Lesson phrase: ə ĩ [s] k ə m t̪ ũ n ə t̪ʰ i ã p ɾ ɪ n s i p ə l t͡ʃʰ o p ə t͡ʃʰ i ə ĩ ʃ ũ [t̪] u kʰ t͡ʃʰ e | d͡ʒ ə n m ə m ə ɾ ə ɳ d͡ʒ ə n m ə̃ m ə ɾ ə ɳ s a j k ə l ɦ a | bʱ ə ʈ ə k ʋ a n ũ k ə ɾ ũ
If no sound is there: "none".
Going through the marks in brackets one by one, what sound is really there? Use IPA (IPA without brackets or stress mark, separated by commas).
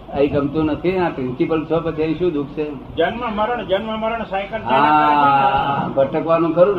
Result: none, d̪